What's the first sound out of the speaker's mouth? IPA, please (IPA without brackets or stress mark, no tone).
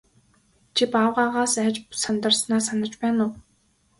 t͡ɕʰ